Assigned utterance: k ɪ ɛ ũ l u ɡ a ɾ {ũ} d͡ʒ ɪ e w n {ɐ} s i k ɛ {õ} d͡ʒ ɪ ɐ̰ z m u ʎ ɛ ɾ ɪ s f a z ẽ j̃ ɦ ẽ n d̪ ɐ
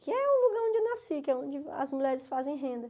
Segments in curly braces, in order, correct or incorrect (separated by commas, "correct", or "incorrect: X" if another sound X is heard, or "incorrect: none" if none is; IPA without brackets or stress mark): incorrect: õ, incorrect: a, correct